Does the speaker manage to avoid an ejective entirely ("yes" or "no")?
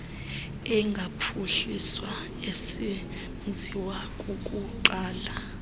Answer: no